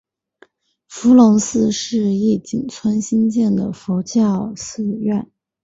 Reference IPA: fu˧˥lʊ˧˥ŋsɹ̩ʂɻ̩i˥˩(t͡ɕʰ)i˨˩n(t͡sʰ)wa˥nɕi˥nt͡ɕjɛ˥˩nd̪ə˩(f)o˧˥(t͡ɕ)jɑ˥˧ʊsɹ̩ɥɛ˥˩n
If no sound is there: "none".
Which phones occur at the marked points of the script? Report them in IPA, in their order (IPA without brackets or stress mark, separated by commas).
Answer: t͡ɕ, t͡sʰ, f, t͡ɕ